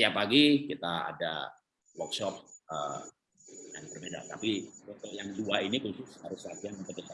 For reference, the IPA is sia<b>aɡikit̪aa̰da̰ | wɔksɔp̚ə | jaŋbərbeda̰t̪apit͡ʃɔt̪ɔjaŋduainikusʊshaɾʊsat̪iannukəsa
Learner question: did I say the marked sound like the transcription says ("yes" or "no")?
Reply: no